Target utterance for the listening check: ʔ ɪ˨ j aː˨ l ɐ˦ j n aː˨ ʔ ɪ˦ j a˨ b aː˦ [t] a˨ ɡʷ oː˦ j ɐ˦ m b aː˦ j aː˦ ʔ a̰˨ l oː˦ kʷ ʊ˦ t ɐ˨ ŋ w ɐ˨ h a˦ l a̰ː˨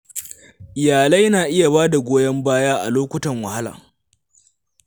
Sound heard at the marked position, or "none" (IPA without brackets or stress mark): d